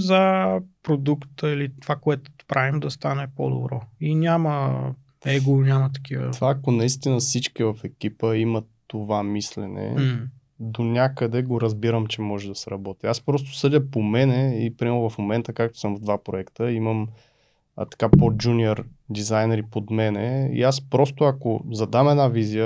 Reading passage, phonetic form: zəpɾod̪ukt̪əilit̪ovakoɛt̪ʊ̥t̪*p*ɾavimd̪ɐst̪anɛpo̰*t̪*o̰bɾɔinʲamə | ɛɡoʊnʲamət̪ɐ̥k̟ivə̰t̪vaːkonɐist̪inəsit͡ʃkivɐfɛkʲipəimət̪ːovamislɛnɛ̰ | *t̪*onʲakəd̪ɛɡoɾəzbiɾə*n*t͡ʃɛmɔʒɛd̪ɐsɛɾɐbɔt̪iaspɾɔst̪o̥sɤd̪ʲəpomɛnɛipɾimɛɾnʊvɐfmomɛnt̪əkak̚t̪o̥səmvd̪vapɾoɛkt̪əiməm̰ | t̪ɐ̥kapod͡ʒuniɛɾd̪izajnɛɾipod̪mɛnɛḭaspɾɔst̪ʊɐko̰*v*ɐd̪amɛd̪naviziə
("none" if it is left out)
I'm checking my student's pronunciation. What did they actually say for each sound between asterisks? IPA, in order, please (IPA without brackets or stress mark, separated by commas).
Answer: p, d̪, d̪, m, z